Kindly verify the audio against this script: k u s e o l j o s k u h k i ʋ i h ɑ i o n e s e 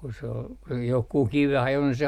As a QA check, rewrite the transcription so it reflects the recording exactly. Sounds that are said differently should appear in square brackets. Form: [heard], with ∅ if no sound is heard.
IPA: k u s e o l j o [h] k u h k i ʋ [e] h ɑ [j] o n [i] s e